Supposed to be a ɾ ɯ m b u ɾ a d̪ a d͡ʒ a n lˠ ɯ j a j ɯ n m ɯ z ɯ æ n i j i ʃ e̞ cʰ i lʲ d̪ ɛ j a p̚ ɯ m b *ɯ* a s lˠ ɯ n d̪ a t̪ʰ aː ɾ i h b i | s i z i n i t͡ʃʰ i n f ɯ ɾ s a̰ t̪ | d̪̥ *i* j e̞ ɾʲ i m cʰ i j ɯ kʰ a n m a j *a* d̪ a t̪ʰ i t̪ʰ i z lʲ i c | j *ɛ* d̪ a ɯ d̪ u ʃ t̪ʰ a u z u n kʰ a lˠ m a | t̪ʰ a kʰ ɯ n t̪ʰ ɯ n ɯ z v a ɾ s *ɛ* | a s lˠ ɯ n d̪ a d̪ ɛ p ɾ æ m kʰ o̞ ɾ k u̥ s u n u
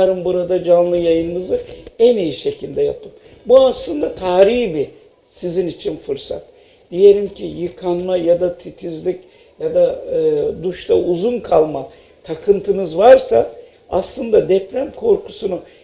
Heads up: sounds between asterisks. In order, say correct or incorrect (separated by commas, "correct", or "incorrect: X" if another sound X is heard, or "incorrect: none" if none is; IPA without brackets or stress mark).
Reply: incorrect: u, correct, correct, incorrect: a, incorrect: a